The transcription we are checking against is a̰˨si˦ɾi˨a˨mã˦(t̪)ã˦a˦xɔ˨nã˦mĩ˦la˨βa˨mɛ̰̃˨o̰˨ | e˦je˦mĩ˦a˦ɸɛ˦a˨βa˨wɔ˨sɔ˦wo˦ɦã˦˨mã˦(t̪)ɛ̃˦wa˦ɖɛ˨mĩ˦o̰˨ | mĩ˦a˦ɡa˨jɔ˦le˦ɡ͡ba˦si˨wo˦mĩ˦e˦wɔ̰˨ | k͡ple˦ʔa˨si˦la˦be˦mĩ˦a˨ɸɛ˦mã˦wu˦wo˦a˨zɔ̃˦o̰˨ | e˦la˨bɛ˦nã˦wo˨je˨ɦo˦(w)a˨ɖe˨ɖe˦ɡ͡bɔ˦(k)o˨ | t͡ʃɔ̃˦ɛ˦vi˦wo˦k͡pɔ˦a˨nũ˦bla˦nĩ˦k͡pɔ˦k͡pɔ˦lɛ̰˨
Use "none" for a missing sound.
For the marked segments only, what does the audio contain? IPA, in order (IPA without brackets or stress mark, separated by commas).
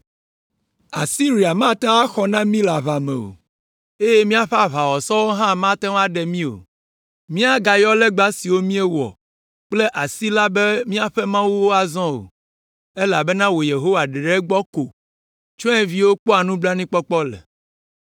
t̪, t̪, w, k